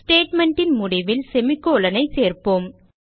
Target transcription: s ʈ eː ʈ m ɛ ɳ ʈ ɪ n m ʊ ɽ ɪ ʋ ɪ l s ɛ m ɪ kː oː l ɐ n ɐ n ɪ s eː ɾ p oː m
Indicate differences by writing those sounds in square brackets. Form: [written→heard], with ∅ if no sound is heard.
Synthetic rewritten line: s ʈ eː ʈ m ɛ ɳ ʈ ɪ n m ʊ ɽ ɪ ʋ ɪ l s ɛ m ɪ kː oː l ɐ n ɐ [n→∅] ɪ s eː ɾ p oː m